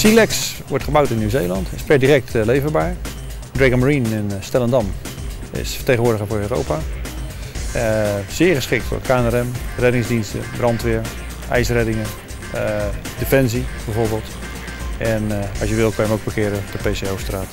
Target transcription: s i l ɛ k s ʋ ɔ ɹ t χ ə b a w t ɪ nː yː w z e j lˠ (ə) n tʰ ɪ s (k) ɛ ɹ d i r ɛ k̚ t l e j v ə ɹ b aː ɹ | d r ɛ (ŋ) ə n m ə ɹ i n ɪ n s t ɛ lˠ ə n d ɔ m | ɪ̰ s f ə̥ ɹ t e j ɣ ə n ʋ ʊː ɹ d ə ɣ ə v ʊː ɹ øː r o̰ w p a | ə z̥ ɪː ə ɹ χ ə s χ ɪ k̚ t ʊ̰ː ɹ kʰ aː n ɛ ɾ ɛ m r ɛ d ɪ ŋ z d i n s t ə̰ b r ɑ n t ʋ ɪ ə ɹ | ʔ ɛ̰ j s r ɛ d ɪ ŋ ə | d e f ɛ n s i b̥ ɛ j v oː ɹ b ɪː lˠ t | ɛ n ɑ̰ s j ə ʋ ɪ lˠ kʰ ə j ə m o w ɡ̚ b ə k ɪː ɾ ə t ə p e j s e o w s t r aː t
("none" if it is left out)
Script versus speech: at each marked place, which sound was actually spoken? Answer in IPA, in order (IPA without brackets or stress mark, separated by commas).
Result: ɑ, p, ɡ